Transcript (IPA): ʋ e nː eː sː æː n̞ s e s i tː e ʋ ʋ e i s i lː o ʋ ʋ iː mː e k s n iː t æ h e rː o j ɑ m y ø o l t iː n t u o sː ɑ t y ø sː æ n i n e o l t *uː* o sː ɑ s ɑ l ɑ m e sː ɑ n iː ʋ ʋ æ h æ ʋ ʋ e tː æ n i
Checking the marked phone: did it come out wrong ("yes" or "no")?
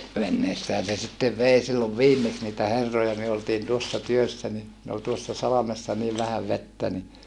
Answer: yes